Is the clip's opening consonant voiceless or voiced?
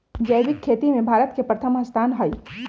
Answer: voiced